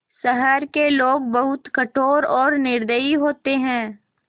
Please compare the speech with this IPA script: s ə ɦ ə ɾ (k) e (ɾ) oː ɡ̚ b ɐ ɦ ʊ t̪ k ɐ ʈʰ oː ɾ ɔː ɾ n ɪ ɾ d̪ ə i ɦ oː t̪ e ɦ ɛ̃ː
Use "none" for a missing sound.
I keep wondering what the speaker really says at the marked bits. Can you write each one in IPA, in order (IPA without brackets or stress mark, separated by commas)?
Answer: k, l